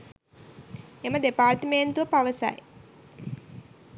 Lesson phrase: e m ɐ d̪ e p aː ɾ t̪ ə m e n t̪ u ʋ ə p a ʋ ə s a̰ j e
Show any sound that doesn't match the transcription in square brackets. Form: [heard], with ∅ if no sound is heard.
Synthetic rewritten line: e m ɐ d̪ e p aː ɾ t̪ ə m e n t̪ u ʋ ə p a ʋ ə s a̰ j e